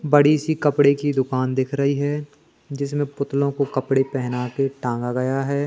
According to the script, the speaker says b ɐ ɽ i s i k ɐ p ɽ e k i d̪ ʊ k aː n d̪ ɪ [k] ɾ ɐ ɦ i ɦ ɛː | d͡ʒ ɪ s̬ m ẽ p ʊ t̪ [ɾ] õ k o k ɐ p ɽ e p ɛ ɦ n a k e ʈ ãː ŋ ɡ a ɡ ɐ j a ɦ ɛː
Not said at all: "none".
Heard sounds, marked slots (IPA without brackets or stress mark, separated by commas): kʰ, l